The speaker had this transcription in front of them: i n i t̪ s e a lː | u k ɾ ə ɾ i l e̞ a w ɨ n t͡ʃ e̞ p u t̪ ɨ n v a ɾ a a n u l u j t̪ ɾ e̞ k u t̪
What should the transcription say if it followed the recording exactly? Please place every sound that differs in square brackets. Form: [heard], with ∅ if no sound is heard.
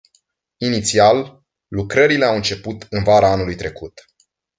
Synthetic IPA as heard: i n i t̪ s [i] a lː | u k ɾ ə ɾ i l e̞ a w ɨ n t͡ʃ e̞ p u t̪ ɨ n v a ɾ a a n u l u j t̪ ɾ e̞ k u t̪